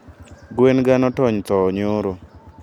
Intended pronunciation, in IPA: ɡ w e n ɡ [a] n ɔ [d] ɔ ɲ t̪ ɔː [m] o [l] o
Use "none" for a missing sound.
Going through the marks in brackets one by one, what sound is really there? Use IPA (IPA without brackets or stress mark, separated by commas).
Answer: a, t, ɲ, ɾ